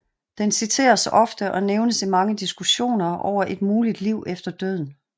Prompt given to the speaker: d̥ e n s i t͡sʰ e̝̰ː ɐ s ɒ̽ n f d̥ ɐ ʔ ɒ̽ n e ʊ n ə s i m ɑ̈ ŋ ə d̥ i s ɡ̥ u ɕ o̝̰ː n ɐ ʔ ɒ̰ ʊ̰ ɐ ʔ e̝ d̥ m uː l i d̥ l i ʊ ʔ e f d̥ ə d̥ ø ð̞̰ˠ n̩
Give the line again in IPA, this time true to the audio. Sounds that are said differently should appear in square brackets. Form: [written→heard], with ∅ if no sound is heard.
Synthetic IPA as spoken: d̥ e n s i t͡sʰ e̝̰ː ɐ s ɒ̽ [n→∅] f d̥ [ɐ→ə] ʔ ɒ̽ n e ʊ n ə s i m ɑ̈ ŋ ə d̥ i s ɡ̥ u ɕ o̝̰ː n ɐ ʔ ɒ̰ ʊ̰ ɐ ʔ e̝ d̥ m uː l i d̥ l i ʊ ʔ e f d̥ [ə→ɐ] d̥ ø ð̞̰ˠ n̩